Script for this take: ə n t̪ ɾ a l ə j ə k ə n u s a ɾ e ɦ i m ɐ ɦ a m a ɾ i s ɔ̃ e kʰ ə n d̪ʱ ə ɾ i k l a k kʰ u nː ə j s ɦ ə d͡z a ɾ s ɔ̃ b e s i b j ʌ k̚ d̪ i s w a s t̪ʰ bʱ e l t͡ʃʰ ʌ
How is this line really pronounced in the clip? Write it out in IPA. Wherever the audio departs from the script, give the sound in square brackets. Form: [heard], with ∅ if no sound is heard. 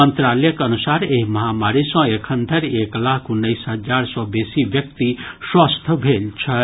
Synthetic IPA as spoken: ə n t̪ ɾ a l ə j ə k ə n u s a ɾ e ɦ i m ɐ ɦ a m a ɾ i s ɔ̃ e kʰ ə n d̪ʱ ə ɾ [e] k l a k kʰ u nː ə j s ɦ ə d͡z a ɾ s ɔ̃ b e s i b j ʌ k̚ [t̪] i s w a s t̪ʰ bʱ e l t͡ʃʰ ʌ